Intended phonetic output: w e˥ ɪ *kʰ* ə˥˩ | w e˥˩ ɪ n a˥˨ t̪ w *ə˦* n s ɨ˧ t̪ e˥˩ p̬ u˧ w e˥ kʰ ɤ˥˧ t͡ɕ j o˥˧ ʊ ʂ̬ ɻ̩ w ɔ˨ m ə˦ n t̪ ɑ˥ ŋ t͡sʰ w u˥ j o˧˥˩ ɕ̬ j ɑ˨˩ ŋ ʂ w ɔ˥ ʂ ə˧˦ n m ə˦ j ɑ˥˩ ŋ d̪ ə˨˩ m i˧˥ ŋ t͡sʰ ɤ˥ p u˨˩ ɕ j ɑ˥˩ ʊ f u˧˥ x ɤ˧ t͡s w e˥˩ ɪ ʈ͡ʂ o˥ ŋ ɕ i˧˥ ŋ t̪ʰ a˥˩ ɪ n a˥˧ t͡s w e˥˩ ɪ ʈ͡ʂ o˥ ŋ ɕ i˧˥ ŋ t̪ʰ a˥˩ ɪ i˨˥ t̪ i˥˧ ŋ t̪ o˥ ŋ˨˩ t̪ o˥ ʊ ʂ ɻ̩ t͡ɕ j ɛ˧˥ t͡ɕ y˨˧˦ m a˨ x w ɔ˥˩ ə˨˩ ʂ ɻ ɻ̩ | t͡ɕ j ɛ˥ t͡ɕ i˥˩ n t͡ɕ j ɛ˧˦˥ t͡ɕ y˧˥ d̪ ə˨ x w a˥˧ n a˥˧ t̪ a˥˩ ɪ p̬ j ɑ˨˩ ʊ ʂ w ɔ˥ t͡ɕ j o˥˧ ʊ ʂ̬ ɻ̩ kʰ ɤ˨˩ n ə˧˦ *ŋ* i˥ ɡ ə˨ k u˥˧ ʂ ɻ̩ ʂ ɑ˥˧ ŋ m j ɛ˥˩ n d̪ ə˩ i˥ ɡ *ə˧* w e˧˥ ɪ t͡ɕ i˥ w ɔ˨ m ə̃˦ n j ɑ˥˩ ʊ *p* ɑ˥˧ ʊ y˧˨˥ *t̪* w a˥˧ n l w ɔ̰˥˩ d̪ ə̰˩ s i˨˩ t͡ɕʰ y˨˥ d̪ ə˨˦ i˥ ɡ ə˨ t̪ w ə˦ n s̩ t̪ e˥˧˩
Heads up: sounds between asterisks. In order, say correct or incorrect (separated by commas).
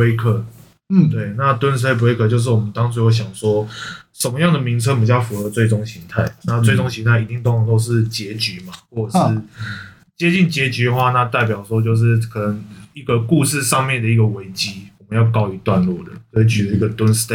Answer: correct, correct, correct, incorrect, incorrect, correct